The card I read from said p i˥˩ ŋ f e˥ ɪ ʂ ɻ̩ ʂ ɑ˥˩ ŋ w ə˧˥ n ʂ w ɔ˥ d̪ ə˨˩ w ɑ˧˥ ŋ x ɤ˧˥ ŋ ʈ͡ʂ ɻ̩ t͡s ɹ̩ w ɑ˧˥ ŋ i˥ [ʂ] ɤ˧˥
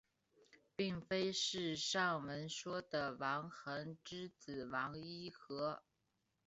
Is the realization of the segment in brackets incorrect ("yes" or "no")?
yes